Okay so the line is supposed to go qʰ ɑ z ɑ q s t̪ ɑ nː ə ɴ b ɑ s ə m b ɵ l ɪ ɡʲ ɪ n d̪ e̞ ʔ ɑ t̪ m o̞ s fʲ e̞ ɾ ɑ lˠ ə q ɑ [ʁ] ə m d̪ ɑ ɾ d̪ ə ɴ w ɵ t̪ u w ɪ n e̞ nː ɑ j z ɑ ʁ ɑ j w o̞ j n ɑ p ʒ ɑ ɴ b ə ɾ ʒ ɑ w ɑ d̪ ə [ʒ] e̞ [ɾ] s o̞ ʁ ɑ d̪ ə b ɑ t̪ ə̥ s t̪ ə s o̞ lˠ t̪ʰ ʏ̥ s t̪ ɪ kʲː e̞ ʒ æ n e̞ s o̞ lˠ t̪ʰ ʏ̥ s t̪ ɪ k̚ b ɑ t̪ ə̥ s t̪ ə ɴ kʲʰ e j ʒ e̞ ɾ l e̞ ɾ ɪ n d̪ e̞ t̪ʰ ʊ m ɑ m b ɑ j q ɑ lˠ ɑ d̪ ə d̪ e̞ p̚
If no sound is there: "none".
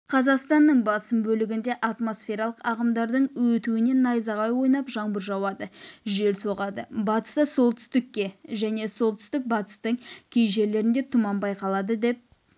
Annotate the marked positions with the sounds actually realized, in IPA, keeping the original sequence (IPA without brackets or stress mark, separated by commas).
ʁ, ʒ, l